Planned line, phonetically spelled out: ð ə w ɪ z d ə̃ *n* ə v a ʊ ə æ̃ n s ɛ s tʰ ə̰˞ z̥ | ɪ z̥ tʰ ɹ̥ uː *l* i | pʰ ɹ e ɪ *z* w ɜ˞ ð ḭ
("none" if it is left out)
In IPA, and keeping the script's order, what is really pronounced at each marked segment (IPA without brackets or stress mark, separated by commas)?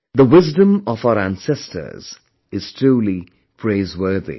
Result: m, l, z